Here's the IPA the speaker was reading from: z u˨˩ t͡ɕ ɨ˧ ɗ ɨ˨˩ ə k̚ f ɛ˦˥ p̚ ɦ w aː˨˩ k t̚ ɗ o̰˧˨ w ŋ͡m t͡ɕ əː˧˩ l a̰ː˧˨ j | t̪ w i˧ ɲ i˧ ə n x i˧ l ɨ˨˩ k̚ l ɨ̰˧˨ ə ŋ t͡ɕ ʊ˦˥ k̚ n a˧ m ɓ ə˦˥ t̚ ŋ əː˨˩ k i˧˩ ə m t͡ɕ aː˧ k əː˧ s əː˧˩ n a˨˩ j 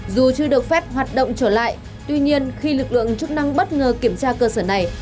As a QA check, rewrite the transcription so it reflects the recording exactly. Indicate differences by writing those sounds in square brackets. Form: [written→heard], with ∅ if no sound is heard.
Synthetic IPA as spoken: z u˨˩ t͡ɕ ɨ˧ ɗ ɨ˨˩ ə k̚ f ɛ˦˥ p̚ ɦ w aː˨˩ [k→∅] t̚ ɗ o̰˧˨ w ŋ͡m t͡ɕ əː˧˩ l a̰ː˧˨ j | t̪ w i˧ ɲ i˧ ə n x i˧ l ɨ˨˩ k̚ l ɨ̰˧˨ ə ŋ t͡ɕ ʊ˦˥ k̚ n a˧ [m→ŋ] ɓ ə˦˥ t̚ ŋ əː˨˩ k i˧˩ ə m t͡ɕ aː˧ k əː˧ s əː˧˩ n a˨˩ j

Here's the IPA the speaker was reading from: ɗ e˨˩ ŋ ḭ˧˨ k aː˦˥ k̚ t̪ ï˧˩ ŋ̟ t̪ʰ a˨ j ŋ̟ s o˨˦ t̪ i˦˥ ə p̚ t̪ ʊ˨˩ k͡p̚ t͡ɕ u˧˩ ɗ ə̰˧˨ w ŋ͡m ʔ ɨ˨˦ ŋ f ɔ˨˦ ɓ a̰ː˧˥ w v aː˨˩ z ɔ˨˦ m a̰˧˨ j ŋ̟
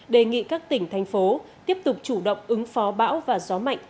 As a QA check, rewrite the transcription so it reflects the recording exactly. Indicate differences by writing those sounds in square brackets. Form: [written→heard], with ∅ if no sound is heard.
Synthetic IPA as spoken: ɗ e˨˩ ŋ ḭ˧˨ k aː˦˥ k̚ t̪ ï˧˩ ŋ̟ t̪ʰ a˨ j ŋ̟ [s→f] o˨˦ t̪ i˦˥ ə p̚ t̪ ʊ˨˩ k͡p̚ t͡ɕ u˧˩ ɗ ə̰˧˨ w ŋ͡m ʔ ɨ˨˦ ŋ f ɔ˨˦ ɓ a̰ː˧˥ w v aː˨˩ z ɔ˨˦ m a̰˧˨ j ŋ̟

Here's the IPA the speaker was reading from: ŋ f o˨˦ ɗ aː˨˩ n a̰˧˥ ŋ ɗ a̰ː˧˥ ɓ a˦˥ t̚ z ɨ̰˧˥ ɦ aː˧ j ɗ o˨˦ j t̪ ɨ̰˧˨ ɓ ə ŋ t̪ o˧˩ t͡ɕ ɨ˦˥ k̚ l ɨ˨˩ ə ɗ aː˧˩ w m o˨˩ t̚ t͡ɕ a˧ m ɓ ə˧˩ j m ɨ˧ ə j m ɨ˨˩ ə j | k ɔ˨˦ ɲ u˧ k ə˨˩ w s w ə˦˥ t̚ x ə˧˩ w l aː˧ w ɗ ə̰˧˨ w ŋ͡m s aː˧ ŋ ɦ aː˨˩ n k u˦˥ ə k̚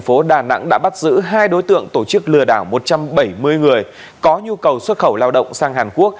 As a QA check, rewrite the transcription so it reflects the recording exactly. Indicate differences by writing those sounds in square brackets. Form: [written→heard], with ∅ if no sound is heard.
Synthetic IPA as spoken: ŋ f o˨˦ ɗ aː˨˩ n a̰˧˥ ŋ ɗ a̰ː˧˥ ɓ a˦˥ t̚ z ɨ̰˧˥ ɦ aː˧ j ɗ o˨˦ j t̪ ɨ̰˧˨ [ɓ→∅] ə ŋ t̪ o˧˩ t͡ɕ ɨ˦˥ k̚ l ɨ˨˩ ə ɗ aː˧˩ w m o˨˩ t̚ t͡ɕ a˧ m ɓ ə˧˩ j m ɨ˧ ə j [m→ŋ] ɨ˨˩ ə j | k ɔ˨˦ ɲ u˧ k ə˨˩ w s w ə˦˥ t̚ x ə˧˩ w l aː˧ w ɗ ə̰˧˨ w ŋ͡m s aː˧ ŋ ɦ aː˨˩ n k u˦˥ ə k̚

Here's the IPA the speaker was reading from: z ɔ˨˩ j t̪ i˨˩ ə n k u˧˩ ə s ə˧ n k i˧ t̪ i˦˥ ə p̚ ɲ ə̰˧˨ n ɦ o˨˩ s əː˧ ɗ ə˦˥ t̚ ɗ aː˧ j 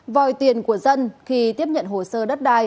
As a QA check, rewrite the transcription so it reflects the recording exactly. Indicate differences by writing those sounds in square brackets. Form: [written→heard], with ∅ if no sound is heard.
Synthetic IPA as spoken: [z→v] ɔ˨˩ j t̪ i˨˩ ə n k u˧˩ ə [s→z] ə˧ n [k→x] i˧ t̪ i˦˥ ə p̚ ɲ ə̰˧˨ n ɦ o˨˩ s əː˧ ɗ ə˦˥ t̚ ɗ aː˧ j

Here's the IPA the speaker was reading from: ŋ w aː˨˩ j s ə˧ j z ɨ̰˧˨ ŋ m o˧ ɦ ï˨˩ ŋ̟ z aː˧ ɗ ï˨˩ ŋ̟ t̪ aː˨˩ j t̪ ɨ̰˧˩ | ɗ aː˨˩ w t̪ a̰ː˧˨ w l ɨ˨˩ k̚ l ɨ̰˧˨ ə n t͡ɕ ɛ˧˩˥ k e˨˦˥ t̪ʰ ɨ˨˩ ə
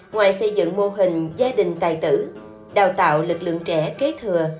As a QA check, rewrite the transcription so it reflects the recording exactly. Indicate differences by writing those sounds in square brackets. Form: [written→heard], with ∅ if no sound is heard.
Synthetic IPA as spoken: ŋ w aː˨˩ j s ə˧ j z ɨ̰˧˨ ŋ m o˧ ɦ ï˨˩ ŋ̟ z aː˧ ɗ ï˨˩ ŋ̟ t̪ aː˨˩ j t̪ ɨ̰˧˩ | ɗ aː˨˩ w t̪ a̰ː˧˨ w l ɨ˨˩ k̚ l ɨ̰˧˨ ə [n→ŋ] t͡ɕ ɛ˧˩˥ k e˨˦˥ t̪ʰ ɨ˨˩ ə

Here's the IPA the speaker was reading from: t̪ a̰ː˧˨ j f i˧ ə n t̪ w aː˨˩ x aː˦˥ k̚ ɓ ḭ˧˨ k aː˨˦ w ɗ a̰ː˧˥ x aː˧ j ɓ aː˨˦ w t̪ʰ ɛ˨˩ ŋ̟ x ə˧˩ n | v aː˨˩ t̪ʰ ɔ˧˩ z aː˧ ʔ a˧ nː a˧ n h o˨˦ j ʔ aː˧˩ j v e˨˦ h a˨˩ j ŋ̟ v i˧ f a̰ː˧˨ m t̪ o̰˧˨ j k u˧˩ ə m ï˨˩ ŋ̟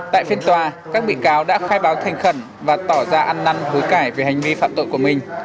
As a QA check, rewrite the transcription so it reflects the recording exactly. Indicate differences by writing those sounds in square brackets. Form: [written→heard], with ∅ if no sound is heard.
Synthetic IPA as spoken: t̪ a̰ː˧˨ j f i˧ ə n t̪ w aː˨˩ [x→k] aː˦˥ k̚ ɓ ḭ˧˨ k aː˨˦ w ɗ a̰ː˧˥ x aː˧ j ɓ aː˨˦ w t̪ʰ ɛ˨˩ ŋ̟ x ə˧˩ n | v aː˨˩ [t̪ʰ→t̪] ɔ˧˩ z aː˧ ʔ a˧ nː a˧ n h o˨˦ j [ʔ→k] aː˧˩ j v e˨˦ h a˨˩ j ŋ̟ v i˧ f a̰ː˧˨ m t̪ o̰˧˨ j k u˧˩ ə m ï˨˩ ŋ̟

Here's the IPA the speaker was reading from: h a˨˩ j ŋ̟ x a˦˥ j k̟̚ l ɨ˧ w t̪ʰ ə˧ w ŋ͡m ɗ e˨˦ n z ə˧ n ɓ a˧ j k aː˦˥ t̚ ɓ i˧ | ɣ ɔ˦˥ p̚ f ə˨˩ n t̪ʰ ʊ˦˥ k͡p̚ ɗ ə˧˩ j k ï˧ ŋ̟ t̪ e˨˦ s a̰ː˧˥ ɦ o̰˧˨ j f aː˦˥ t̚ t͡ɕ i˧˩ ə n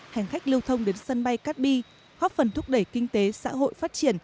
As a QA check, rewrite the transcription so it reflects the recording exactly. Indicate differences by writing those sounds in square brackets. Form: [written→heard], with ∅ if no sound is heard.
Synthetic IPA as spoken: h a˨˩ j ŋ̟ x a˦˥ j k̟̚ l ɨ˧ w t̪ʰ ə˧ w ŋ͡m ɗ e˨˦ n [z→s] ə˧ n ɓ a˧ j k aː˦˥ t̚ ɓ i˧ | ɣ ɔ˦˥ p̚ f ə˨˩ n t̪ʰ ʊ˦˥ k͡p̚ ɗ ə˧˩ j k ï˧ ŋ̟ t̪ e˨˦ s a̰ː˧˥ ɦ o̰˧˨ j f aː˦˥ t̚ t͡ɕ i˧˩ ə n

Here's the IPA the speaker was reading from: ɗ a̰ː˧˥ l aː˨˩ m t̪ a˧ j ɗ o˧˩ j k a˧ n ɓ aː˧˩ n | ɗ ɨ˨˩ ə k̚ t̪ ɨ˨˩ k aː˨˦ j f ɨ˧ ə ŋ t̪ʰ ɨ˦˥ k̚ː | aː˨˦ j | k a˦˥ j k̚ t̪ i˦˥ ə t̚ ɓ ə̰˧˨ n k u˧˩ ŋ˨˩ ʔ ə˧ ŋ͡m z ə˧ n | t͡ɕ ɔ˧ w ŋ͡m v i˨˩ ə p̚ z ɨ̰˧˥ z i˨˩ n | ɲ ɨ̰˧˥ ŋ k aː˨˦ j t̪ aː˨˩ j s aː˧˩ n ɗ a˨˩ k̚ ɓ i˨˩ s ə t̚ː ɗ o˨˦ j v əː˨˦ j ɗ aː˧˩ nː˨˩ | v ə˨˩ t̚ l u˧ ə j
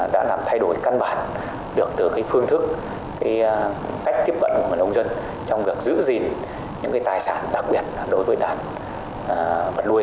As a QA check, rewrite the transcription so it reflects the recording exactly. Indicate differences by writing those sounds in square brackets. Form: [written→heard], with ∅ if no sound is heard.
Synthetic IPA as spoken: ɗ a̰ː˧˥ l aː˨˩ m [t̪→t̪ʰ] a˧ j ɗ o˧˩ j k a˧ n ɓ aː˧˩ n | ɗ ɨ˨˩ ə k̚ t̪ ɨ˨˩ k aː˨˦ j f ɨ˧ ə ŋ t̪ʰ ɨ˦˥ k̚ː | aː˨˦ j | k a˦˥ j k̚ t̪ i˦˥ ə [t̚→p̚] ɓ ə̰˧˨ n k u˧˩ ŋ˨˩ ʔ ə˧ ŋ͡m z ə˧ n | t͡ɕ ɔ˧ w ŋ͡m v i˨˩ ə [p̚→k̚] z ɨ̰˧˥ z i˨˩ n | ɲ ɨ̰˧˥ ŋ k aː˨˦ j t̪ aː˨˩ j s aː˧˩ n ɗ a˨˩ k̚ ɓ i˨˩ [s→∅] ə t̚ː ɗ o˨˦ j v əː˨˦ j ɗ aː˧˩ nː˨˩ | v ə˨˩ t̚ l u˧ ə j

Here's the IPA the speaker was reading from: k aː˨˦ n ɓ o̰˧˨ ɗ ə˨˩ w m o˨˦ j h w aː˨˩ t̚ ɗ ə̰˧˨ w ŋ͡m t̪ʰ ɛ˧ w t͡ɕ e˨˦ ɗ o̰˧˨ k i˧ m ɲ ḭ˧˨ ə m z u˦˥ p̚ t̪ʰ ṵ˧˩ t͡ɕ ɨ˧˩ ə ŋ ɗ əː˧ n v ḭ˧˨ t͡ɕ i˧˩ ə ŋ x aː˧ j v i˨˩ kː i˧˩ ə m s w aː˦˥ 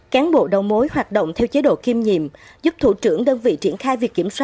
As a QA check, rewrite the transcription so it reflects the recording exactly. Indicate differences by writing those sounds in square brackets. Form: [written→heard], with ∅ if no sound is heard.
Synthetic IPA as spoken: k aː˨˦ n ɓ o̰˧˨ ɗ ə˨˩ w m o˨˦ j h w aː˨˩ t̚ ɗ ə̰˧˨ w ŋ͡m t̪ʰ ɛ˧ w t͡ɕ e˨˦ ɗ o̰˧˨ k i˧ m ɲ ḭ˧˨ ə m z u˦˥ p̚ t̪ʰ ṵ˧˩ t͡ɕ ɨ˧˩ ə ŋ ɗ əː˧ n v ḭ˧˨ t͡ɕ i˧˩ ə [ŋ→n] x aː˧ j v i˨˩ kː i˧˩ ə m s w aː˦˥

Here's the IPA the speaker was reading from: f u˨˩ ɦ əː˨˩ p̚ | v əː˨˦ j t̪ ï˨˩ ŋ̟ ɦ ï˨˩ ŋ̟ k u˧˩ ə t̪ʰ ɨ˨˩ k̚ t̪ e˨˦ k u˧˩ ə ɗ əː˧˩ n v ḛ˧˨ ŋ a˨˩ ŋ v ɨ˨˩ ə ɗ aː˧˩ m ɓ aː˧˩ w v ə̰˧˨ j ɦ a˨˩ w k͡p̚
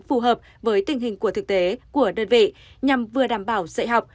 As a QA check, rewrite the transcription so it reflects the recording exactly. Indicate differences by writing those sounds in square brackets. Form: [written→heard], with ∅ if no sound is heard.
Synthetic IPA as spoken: f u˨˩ ɦ əː˨˩ p̚ | v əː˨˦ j t̪ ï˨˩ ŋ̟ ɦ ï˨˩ ŋ̟ k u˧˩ ə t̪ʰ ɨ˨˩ k̚ t̪ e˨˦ k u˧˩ ə ɗ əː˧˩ n v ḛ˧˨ [ŋ→ɲ] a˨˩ [ŋ→m] v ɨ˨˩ ə ɗ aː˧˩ m ɓ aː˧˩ w [v→z] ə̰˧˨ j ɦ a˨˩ w k͡p̚

